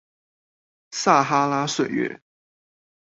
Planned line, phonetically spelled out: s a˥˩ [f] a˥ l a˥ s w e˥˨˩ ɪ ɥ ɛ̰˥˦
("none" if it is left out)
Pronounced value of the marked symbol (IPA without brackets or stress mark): x